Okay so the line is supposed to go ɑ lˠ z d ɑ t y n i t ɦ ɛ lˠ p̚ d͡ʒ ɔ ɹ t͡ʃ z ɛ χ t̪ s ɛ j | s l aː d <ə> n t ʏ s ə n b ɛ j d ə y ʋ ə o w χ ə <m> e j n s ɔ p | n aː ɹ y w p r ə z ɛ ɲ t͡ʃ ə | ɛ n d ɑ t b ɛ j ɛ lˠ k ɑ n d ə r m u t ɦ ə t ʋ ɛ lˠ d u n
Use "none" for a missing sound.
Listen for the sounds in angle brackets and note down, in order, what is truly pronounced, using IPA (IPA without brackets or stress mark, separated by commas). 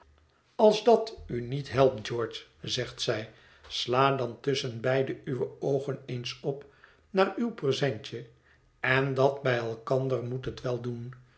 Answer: ɑ, n